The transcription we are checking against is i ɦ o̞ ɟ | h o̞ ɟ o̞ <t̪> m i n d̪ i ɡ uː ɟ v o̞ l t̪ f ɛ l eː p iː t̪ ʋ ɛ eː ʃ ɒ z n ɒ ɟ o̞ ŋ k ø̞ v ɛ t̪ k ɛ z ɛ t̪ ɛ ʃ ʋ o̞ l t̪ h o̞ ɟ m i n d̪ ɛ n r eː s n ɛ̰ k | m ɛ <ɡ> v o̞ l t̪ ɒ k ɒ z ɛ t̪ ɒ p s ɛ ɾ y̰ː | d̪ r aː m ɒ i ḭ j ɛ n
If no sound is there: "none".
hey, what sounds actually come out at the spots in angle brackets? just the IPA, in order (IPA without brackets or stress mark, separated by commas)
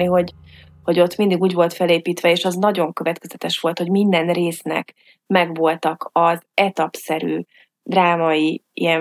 t̪, ɡ